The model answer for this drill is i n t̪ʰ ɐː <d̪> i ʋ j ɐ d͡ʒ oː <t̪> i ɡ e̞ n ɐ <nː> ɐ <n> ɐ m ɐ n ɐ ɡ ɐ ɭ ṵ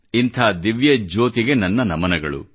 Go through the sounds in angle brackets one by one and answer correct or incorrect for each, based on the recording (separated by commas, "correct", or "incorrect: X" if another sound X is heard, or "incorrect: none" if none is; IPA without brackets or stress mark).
correct, correct, correct, correct